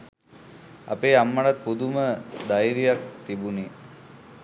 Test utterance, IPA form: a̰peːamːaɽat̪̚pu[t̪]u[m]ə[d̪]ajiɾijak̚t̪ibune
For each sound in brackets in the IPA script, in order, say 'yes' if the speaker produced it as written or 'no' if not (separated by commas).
no, yes, yes